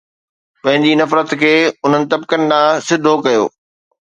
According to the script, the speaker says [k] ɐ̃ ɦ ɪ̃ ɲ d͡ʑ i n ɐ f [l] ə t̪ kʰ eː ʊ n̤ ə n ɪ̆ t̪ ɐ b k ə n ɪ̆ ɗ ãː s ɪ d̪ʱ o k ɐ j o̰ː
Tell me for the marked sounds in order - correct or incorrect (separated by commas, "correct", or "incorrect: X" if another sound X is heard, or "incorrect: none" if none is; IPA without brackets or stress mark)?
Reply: incorrect: p, incorrect: ɾ